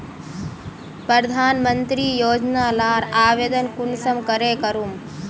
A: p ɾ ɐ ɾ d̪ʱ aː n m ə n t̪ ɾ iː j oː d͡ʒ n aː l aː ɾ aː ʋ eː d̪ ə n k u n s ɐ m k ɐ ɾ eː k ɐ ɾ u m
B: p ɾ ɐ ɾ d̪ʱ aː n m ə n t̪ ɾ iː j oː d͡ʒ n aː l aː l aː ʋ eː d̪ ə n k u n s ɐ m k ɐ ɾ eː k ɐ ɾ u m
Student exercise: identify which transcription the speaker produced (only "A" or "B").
A